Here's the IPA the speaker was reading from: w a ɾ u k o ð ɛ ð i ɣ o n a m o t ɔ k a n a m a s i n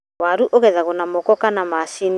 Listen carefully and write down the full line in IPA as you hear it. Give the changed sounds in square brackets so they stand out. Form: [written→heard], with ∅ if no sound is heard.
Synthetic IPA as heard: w a ɾ u [k→ʔ] o [ð→ɣ] ɛ ð [i→a] ɣ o n a m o [t→k] ɔ k a n a m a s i n